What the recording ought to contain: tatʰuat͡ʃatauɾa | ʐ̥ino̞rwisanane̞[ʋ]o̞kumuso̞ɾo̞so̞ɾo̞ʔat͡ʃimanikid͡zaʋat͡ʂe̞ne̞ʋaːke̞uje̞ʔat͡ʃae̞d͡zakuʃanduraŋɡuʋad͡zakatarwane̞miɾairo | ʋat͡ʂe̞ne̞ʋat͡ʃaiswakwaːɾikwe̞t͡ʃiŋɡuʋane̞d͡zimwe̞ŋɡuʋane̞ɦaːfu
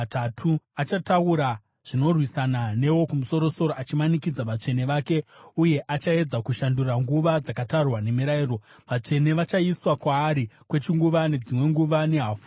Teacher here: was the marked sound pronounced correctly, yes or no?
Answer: no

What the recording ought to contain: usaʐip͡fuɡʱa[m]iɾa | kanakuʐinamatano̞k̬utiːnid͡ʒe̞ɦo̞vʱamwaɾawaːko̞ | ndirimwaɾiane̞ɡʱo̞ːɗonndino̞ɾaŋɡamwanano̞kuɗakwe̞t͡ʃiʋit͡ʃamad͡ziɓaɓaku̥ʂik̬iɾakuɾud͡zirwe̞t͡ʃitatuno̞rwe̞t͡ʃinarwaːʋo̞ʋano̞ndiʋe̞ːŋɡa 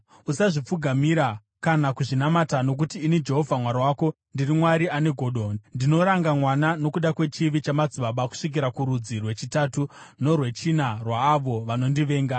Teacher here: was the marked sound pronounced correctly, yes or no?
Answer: yes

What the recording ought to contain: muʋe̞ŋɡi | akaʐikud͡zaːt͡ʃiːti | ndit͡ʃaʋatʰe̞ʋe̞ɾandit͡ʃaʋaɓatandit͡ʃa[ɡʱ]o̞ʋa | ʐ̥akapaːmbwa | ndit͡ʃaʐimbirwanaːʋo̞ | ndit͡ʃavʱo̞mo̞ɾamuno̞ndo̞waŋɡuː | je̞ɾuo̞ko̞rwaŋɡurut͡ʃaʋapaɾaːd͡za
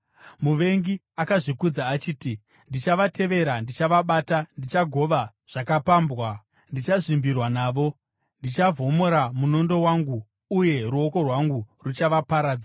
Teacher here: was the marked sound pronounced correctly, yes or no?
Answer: yes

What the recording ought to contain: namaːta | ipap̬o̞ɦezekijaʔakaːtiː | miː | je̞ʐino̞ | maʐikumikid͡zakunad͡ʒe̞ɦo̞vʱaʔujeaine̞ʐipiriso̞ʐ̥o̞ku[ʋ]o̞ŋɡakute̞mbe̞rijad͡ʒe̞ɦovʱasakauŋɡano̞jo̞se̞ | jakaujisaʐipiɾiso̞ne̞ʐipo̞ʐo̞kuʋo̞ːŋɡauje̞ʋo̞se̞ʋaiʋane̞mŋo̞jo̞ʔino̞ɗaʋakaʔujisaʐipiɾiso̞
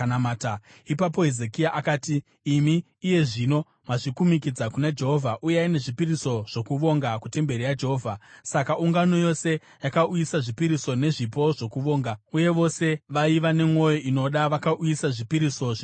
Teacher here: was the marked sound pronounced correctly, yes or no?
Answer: yes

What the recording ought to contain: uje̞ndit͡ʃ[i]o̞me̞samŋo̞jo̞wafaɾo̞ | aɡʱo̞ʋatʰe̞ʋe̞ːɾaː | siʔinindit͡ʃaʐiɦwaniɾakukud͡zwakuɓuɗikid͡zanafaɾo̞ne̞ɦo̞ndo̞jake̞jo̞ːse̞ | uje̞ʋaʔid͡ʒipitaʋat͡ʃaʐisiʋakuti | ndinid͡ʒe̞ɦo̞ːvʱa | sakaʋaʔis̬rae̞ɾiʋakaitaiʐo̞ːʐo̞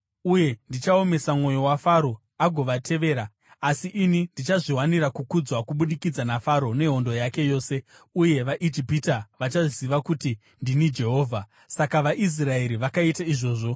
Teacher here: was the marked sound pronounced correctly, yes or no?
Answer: no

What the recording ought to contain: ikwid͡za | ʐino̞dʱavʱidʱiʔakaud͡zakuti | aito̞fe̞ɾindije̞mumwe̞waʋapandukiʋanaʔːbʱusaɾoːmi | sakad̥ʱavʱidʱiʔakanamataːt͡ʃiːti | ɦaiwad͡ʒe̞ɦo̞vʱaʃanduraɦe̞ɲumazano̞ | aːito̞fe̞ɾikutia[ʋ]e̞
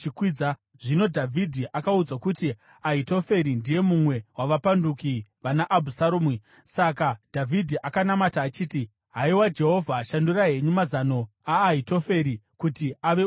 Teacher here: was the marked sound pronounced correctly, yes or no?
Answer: yes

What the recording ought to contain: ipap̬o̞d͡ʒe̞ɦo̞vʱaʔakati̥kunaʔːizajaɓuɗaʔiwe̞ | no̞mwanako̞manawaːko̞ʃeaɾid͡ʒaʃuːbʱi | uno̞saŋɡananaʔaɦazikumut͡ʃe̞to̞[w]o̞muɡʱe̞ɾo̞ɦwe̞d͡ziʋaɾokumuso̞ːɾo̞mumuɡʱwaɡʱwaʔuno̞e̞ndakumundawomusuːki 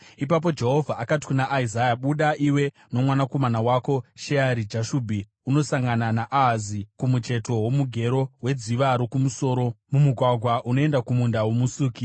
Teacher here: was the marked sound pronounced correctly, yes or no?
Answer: yes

